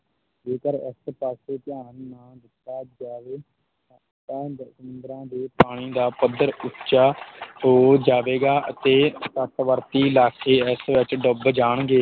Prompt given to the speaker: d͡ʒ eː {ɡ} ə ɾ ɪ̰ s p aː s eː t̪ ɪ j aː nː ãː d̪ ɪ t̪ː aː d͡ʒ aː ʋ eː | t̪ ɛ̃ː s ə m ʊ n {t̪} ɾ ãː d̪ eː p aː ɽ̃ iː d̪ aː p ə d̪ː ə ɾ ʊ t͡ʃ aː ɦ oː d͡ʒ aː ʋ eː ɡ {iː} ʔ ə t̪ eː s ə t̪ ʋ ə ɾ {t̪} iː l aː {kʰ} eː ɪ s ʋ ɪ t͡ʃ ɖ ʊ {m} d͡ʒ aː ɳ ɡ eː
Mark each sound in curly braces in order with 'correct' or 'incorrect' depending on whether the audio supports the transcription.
incorrect, incorrect, incorrect, correct, correct, incorrect

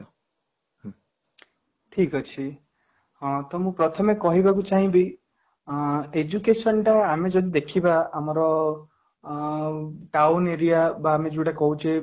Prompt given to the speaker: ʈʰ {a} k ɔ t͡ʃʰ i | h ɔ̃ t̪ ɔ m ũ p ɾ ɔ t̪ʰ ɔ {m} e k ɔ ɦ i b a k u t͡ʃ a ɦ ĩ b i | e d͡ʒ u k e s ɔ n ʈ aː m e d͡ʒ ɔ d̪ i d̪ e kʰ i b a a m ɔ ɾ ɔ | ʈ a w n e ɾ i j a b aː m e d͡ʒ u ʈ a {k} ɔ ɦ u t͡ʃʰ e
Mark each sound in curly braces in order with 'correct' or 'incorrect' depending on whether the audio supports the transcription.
incorrect, correct, correct

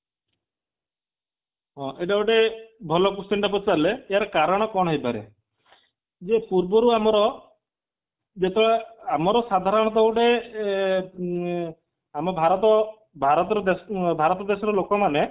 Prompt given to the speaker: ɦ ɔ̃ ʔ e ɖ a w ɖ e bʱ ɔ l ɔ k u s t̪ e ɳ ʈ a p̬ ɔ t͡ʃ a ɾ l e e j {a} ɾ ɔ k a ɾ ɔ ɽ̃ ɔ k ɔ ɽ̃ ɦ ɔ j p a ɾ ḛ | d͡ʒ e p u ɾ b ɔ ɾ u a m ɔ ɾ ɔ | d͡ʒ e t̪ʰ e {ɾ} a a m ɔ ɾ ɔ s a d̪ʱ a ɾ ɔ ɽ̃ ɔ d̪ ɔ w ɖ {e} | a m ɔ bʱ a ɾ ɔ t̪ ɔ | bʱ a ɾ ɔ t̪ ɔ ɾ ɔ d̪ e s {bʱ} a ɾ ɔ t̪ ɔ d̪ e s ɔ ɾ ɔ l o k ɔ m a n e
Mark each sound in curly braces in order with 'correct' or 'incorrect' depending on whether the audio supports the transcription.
correct, incorrect, correct, correct

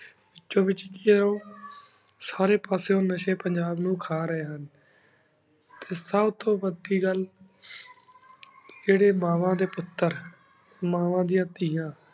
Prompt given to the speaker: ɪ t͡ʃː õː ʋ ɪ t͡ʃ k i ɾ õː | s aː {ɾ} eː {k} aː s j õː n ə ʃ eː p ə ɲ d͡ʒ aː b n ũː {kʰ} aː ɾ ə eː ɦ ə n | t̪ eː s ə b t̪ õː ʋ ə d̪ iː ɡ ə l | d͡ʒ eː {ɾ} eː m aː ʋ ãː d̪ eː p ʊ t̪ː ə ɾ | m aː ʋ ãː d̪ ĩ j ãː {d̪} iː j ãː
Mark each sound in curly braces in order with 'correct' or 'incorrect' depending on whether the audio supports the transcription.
correct, incorrect, correct, incorrect, incorrect

